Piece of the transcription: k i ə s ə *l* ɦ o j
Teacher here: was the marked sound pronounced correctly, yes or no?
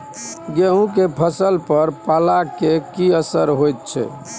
no